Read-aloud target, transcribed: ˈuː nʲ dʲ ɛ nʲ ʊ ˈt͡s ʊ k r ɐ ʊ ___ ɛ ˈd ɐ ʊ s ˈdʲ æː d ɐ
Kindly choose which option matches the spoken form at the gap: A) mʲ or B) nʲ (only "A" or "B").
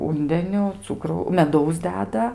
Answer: A